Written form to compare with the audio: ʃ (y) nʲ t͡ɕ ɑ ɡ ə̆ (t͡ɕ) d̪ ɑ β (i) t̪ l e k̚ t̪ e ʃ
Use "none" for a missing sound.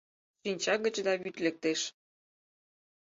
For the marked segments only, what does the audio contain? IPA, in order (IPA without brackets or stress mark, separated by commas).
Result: i, t͡ɕ, y